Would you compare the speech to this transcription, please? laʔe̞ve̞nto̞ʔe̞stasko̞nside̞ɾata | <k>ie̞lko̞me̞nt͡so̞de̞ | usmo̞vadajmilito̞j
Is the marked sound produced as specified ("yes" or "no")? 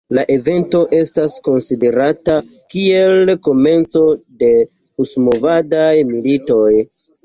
yes